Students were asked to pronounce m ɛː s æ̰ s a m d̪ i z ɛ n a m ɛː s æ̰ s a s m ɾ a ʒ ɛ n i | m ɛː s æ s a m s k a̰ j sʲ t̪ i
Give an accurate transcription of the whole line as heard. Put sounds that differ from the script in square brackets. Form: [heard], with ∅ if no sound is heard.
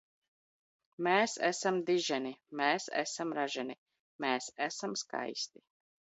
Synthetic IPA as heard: m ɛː s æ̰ s a m d̪ i [ʒ] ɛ n [i] m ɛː s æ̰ s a [∅] m ɾ a ʒ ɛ n i | m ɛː s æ s a m s k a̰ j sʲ t̪ i